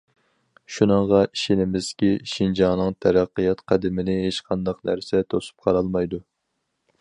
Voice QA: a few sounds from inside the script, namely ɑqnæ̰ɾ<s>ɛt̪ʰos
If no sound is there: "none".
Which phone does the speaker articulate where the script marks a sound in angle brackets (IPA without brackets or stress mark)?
s